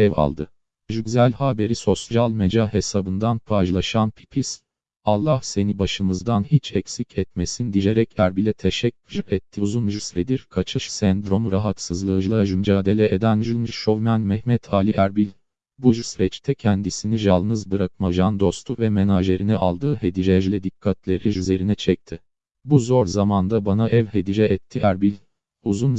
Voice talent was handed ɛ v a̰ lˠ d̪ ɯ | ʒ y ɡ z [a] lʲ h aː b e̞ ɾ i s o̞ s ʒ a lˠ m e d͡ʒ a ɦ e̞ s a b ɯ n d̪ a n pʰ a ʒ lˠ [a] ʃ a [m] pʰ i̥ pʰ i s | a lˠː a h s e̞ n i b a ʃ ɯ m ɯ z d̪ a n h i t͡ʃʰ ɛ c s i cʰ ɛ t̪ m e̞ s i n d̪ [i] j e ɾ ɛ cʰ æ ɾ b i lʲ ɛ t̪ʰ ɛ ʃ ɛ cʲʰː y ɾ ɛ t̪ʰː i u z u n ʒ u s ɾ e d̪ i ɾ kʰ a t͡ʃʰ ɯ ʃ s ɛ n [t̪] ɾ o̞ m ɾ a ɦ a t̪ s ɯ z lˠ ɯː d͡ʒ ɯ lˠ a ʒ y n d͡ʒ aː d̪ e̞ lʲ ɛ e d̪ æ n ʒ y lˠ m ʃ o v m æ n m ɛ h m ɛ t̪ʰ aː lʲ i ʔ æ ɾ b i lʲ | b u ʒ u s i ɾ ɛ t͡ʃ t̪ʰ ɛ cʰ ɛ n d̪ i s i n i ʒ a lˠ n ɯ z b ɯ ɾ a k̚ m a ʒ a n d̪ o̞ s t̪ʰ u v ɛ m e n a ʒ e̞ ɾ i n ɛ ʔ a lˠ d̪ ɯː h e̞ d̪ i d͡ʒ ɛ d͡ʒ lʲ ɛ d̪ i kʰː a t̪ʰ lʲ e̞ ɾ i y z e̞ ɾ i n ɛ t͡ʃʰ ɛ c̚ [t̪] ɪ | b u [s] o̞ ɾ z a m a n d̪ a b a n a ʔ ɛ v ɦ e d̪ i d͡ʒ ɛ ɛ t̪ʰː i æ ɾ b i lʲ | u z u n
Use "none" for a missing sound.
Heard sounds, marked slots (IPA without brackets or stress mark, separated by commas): æ, a, n, i, d̪, t̪ʰ, z